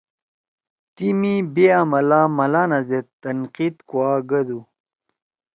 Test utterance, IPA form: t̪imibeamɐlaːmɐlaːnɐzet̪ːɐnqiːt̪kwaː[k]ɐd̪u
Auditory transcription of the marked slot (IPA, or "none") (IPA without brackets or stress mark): ɡ